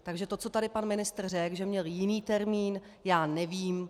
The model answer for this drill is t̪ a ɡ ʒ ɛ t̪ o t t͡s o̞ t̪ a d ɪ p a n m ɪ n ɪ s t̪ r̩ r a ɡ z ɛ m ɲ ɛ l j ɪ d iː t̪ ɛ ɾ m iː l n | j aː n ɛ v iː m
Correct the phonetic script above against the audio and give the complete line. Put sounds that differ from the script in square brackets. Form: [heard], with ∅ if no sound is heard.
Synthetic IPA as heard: t̪ a ɡ ʒ ɛ t̪ o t t͡s o̞ t̪ a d ɪ p a n m ɪ n ɪ s t̪ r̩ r [ɛ] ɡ [ʒ] ɛ m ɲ ɛ l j ɪ [n] iː t̪ ɛ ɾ m iː [∅] n | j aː n ɛ v iː m